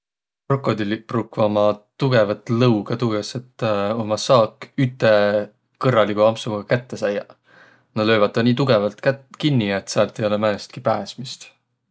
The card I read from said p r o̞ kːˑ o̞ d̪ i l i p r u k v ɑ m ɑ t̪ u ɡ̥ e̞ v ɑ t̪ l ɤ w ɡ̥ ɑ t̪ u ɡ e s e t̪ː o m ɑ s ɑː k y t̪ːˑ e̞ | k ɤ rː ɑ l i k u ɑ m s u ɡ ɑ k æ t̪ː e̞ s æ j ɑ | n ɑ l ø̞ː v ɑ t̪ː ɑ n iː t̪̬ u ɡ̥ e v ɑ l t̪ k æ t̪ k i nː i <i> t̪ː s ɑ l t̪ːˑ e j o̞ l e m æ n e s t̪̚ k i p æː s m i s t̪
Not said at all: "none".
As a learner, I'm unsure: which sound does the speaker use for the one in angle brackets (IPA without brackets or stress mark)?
e